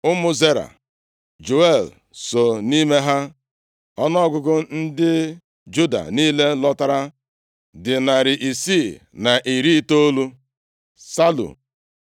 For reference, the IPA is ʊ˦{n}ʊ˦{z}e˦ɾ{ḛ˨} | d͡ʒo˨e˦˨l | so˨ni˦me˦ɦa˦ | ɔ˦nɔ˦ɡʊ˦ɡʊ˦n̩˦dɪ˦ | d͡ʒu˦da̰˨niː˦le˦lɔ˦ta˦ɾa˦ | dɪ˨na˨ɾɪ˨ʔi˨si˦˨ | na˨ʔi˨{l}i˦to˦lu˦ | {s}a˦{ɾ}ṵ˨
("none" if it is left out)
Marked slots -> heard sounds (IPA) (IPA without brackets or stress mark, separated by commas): m, z, a̰˨, ɾ, s, l